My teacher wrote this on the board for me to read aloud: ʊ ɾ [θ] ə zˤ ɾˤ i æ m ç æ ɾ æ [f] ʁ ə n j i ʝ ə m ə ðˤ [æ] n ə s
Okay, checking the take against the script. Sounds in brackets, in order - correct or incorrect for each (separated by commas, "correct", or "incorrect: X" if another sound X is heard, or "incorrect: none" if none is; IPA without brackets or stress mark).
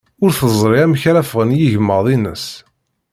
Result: correct, correct, incorrect: i